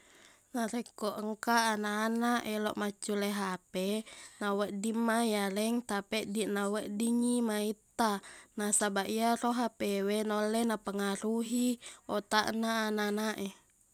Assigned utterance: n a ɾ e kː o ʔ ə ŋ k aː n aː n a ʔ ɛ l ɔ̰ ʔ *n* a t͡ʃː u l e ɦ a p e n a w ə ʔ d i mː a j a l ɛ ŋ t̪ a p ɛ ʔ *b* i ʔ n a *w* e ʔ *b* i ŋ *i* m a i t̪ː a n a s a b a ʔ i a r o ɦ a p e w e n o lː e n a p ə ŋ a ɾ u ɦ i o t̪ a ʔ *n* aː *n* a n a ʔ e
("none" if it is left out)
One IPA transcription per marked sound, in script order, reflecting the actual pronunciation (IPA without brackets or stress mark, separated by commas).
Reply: m, d, w, d, i, n, n